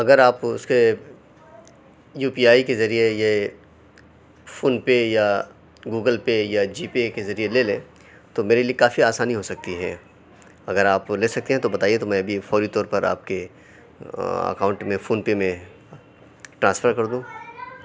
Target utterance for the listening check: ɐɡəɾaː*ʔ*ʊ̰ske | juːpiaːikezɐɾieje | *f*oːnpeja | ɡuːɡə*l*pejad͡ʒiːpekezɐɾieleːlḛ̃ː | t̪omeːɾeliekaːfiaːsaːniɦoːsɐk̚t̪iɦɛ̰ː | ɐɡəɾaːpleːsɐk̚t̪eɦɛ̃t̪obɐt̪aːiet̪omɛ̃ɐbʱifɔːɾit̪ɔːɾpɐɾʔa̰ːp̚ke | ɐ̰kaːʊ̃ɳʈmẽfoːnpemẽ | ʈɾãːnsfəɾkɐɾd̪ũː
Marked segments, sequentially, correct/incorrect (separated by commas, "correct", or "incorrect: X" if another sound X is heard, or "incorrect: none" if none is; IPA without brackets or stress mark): incorrect: p, correct, correct